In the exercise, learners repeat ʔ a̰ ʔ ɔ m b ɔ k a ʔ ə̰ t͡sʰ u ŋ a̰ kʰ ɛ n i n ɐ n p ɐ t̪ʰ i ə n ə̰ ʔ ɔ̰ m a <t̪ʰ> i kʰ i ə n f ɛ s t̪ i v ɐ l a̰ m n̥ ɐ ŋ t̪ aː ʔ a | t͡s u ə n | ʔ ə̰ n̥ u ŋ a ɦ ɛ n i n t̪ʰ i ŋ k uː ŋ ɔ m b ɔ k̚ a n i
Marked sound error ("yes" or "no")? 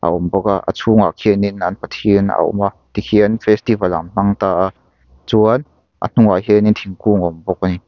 yes